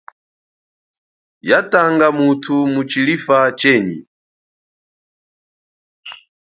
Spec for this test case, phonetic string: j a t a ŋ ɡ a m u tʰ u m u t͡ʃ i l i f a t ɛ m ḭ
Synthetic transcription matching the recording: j a t a ŋ ɡ a m u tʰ u m u t͡ʃ i l i f a t͡ʃ ɛ ɲ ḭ